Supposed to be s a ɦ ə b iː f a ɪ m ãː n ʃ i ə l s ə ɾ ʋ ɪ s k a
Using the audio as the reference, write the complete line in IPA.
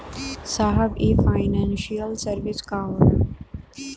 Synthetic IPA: s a ɦ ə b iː f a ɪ n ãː n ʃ i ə l s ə ɾ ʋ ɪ s k a